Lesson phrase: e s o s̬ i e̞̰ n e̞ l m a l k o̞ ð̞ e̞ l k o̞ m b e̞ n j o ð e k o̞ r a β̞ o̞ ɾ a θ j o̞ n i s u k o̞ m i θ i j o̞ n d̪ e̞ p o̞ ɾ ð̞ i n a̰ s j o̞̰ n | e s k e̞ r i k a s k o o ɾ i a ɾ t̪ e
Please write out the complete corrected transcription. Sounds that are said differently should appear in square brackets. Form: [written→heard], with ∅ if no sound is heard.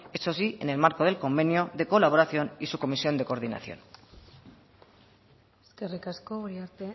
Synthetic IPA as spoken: e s o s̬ i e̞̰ n e̞ l m a [l→ɾ] k o̞ ð̞ e̞ l k o̞ m b e̞ n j o ð e k o̞ [r→l] a β̞ o̞ ɾ a θ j o̞ n i s u k o̞ m i [θ→s] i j o̞ n d̪ e̞ [p→k] o̞ ɾ ð̞ i n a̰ [s→θ] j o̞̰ n | e s k e̞ r i k a s k o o ɾ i a ɾ t̪ e